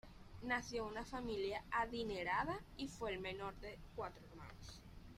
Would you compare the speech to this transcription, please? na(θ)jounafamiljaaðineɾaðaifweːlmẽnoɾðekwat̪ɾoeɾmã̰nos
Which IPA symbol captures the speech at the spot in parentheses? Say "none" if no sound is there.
θ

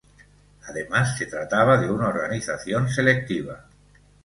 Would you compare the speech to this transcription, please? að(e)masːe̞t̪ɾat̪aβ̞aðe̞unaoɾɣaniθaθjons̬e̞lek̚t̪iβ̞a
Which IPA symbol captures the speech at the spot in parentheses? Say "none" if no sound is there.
e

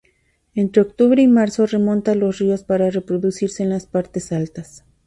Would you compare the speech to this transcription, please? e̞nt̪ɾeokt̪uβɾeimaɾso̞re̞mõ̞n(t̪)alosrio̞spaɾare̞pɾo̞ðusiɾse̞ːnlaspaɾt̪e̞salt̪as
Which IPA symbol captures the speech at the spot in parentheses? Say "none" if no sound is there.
t̪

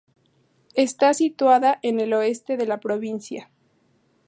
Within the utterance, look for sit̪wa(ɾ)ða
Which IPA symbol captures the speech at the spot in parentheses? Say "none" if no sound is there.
none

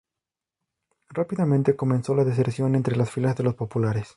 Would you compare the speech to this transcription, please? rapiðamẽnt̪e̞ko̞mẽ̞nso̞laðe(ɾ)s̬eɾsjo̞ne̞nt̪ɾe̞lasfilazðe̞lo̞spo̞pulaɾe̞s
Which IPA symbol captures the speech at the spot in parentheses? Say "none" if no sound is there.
none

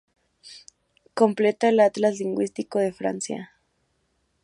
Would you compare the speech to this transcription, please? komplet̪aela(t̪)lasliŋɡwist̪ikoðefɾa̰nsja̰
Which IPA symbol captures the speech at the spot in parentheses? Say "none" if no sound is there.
t̪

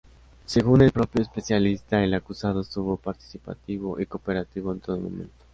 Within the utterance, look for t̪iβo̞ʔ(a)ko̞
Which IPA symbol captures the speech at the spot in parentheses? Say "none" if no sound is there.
i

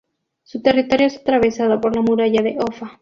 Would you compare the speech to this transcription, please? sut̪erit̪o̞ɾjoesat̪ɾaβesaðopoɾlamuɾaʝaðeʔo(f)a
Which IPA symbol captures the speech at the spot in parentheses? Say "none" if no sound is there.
f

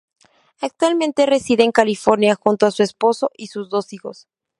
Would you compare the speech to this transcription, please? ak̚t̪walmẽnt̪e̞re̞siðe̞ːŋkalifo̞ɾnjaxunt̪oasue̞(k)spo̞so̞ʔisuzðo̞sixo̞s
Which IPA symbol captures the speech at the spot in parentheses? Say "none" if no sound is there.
none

